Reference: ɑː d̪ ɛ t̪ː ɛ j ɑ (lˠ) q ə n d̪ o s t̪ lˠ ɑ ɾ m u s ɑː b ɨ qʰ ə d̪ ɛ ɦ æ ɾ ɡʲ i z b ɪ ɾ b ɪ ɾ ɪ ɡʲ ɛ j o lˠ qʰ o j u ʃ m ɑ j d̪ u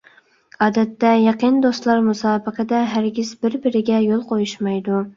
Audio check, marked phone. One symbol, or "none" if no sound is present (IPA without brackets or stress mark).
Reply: none